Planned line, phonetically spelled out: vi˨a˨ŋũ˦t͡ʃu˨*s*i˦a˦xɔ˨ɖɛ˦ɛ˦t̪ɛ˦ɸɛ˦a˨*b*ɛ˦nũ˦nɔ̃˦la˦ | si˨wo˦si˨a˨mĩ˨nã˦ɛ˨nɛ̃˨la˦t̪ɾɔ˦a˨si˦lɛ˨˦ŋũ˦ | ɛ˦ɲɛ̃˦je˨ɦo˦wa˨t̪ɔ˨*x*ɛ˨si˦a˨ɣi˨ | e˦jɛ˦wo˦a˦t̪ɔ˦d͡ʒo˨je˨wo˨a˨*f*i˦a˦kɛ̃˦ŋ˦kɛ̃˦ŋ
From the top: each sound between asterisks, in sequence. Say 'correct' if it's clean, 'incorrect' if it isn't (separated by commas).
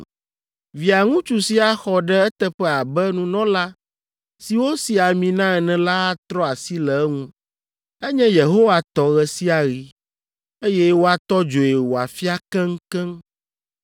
correct, correct, incorrect, correct